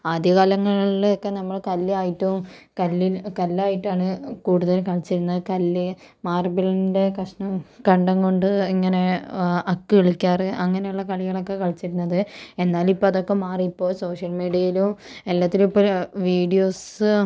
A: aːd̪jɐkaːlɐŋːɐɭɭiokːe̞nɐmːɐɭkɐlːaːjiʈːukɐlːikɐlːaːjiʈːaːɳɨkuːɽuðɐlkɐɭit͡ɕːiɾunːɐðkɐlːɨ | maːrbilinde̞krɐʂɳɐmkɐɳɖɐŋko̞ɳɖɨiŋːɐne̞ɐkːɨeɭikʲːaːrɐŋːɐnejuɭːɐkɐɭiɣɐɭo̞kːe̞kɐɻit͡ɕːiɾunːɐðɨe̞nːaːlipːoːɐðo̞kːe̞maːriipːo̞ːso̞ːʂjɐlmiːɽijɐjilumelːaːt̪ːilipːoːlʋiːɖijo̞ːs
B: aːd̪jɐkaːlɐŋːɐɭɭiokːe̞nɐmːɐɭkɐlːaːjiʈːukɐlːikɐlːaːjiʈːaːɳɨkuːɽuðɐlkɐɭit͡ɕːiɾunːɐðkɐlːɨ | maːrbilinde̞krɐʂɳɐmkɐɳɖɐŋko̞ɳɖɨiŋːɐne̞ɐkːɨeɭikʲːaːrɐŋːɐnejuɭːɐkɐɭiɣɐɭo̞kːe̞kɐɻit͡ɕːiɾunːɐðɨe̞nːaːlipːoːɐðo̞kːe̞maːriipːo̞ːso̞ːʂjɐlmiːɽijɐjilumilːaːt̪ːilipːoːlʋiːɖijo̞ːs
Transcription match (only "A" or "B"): A